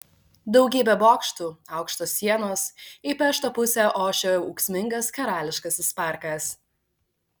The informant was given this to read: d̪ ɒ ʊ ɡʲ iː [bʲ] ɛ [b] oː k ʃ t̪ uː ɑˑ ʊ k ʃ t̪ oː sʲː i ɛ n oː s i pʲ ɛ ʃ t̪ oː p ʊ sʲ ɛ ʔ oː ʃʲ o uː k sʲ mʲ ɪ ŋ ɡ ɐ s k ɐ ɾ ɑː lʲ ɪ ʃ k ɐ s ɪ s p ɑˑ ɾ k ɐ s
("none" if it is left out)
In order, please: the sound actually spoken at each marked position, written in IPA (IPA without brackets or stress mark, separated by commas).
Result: bʲ, b